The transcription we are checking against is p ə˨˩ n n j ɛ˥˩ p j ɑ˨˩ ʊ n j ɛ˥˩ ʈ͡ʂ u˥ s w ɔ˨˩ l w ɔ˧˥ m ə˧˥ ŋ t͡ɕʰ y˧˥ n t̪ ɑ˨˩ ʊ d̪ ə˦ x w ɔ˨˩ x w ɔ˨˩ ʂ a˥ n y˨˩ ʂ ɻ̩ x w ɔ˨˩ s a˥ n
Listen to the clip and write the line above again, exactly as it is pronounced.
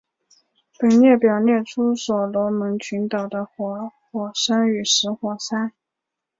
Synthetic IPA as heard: p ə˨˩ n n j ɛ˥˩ p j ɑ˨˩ ʊ n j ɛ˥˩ ʈ͡ʂʰ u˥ s w ɔ˨˩ l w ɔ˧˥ m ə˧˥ ŋ t͡ɕʰ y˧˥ n t̪ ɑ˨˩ ʊ d̪ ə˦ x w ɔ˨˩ x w ɔ˨˩ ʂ a˥ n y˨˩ ʂ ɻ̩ x w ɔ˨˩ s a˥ n